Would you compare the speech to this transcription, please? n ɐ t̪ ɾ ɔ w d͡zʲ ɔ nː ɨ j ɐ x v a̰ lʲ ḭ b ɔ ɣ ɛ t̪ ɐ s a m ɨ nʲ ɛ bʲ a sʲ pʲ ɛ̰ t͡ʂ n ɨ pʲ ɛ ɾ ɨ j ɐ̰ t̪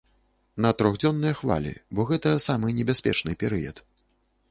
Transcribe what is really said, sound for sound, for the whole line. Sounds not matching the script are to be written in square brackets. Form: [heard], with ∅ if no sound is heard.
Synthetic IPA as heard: n ɐ t̪ ɾ ɔ [ɣ] d͡zʲ ɔ nː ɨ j ɐ x v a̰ lʲ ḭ b ɔ ɣ ɛ t̪ ɐ s a m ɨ nʲ ɛ bʲ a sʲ pʲ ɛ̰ t͡ʂ n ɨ pʲ ɛ ɾ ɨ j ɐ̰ t̪